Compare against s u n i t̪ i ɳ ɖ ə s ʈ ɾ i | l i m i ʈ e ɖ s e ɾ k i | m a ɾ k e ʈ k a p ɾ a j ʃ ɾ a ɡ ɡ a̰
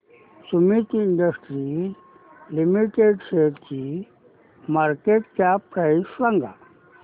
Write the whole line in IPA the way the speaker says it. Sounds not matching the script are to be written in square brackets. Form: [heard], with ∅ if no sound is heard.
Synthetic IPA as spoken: s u [m] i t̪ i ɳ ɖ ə s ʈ ɾ i | l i m i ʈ e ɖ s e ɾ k i | m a ɾ k e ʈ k a p ɾ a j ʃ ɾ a [ŋ] ɡ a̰